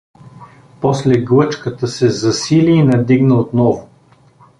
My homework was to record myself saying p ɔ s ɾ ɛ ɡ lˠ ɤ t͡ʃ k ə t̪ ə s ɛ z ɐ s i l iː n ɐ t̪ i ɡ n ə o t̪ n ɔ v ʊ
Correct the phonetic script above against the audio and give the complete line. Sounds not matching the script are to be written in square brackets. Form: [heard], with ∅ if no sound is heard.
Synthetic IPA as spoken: p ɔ s [l] ɛ ɡ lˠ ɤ t͡ʃ k ə t̪ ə s ɛ z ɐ s i l iː n ɐ [d̪] i ɡ n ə o t̪ n ɔ v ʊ